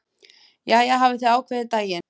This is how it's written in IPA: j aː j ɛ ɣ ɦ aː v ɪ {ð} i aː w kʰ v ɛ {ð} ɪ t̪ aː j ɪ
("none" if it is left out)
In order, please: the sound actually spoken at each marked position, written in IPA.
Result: θ, ð

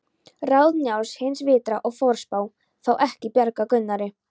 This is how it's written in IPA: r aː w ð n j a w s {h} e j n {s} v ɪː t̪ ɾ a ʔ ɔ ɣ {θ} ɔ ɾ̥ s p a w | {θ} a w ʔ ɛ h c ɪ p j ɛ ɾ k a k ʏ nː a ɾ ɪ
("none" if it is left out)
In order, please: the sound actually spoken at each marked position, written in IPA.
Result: h, s, f, θ

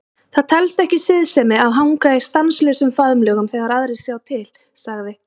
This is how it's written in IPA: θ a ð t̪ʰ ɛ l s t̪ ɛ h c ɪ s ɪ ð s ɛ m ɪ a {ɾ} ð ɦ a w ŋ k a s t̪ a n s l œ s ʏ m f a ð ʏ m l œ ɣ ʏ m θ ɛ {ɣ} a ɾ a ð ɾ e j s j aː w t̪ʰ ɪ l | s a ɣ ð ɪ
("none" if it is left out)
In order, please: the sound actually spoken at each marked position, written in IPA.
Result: none, ɣ

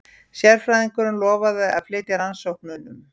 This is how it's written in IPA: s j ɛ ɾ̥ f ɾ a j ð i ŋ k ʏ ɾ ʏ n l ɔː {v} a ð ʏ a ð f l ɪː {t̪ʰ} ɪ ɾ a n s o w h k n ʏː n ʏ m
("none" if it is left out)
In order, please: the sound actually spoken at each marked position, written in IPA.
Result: v, t̪

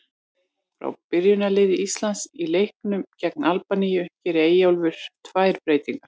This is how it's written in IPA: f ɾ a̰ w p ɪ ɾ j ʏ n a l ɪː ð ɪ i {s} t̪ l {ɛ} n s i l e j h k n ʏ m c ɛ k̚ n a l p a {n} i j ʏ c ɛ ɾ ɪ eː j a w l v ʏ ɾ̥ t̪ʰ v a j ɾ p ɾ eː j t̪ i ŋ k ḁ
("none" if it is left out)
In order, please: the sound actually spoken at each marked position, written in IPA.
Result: s, a, n

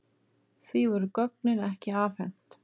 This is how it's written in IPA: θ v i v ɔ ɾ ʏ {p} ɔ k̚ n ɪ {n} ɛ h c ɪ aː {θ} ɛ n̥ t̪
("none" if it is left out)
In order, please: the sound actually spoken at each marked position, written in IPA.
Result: k, n, f

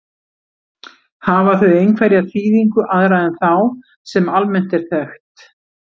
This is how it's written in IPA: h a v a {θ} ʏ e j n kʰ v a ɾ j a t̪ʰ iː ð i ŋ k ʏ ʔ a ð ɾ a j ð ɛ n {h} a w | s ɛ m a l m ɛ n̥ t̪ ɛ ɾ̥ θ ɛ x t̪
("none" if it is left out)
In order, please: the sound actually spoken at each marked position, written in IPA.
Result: θ, θ

